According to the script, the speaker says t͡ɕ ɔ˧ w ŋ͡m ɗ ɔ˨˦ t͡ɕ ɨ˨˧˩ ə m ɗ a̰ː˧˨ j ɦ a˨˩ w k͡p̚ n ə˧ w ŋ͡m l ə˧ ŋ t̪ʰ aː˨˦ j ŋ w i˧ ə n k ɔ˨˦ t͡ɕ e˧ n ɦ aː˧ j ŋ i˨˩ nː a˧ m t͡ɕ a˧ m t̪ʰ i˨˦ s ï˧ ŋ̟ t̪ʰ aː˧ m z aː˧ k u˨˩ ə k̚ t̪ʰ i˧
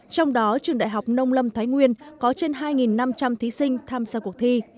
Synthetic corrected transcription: t͡ɕ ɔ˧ w ŋ͡m ɗ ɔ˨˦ t͡ɕ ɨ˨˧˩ ə ŋ ɗ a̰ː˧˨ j ɦ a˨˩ w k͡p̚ n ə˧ w ŋ͡m l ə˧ m t̪ʰ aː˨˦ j ŋ w i˧ ə n k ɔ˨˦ t͡ɕ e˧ n ɦ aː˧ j ŋ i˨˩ nː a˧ m t͡ɕ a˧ m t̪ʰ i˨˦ s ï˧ ŋ̟ t̪ʰ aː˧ m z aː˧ k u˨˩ ə k̚ t̪ʰ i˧

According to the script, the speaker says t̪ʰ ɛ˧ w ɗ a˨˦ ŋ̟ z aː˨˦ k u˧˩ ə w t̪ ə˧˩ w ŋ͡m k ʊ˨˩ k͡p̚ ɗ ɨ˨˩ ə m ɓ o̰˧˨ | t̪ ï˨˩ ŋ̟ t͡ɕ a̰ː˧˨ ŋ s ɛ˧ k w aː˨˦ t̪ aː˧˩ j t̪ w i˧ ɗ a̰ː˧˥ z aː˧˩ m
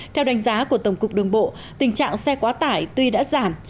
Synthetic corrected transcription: t̪ʰ ɛ˧ w ɗ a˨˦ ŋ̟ z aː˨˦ k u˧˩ ə t̪ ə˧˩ w ŋ͡m k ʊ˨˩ k͡p̚ ɗ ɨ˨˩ ə ŋ ɓ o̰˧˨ | t̪ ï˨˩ ŋ̟ t͡ɕ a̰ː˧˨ ŋ s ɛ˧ k w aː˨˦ t̪ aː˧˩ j t̪ w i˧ ɗ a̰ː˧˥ z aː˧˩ m

